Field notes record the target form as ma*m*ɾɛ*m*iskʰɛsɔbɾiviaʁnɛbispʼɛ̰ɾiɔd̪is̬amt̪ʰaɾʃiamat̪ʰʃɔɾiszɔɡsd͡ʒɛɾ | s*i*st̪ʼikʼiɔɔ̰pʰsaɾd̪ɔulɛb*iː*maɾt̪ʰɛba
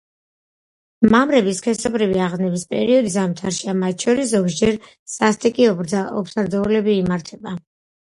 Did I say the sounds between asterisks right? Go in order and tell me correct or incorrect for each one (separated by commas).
correct, incorrect, incorrect, correct